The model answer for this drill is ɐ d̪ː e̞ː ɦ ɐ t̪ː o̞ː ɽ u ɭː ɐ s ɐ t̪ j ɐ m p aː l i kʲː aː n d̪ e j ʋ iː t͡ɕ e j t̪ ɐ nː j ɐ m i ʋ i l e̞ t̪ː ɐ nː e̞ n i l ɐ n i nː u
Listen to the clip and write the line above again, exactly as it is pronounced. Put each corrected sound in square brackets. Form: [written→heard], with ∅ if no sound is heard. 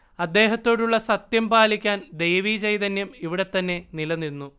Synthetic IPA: ɐ d̪ː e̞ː ɦ ɐ t̪ː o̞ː ɽ u ɭː ɐ s ɐ t̪ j ɐ m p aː l i kʲː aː n d̪ e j ʋ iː t͡ɕ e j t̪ ɐ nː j ɐ m i ʋ i [l→ɽ] e̞ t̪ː ɐ nː e̞ n i l ɐ n i nː u